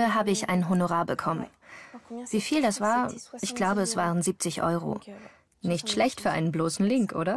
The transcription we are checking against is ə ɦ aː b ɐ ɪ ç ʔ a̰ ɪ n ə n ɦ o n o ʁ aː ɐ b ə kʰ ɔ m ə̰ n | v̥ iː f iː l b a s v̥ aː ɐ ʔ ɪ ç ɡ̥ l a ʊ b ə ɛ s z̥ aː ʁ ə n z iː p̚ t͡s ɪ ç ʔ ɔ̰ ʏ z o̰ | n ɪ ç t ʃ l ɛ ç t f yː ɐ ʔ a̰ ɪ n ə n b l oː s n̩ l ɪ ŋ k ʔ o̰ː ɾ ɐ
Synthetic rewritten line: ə ɦ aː b ə ɪ ç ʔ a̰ ɪ n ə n ɦ o n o ʁ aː ɐ b ə kʰ ɔ m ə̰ n | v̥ iː f iː l d a s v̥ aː ɐ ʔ ɪ ç ɡ̥ l a ʊ b ə ɛ s v̥ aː ʁ ə n z iː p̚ t͡s ɪ ç ʔ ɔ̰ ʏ ʁ o̰ | n ɪ ç t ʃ l ɛ ç t f yː ɐ ʔ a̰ ɪ n ə n b l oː s n̩ l ɪ ŋ k ʔ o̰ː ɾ ɐ

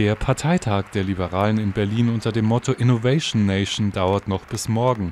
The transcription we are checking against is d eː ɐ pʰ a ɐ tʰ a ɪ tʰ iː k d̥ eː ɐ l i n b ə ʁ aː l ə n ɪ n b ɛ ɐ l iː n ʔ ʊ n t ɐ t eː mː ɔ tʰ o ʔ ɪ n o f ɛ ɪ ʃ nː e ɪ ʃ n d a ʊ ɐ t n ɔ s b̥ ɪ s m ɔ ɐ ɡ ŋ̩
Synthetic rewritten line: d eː ɐ pʰ a ɐ tʰ a ɪ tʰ aː k d̥ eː ɐ l i b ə ʁ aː l ə n ɪ n b ɛ ɐ l iː n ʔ ʊ n t ɐ d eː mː ɔ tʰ o ʔ ɪ n o v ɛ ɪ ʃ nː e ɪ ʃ n d a ʊ ɐ t n ɔ χ b̥ ɪ s m ɔ ɐ ɡ ŋ̩

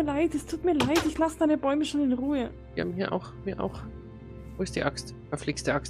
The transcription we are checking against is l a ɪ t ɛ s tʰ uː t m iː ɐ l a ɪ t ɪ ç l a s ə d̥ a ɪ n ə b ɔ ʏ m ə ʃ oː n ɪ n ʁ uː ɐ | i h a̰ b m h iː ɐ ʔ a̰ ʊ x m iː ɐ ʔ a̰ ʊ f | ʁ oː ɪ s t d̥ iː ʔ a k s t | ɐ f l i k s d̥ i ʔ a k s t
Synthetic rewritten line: l a ɪ t ɛ s tʰ uː t m iː ɐ l a ɪ t ɪ ç l a s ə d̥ a ɪ n ə b ɔ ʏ m ə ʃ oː n ɪ n ʁ uː ə | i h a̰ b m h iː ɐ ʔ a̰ ʊ x m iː ɐ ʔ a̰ ʊ x | v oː ɪ s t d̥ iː ʔ a k s t | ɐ f l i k s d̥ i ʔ a k s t

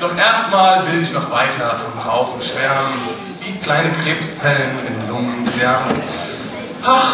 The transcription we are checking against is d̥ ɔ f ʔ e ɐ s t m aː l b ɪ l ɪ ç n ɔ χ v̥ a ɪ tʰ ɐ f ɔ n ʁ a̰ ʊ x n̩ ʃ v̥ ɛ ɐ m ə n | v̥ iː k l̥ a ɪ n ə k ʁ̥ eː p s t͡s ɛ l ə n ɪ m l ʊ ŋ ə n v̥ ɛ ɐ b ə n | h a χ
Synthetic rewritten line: d̥ ɔ χ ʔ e ɐ s t m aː l v ɪ l ɪ ç n ɔ χ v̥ a ɪ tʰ ɐ f ɔ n ʁ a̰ ʊ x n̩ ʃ v̥ ɛ ɐ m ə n | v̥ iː k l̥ a ɪ n ə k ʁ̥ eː p s t͡s ɛ l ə n ɪ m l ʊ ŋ ə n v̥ ɛ ɐ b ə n | h a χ

